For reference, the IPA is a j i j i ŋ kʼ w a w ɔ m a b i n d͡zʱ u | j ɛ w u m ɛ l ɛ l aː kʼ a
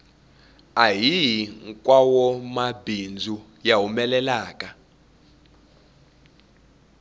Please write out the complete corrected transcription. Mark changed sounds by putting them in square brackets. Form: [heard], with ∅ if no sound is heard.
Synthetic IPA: a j i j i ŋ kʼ w a w ɔ m a b i n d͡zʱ u | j [a] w u m ɛ l ɛ l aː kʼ a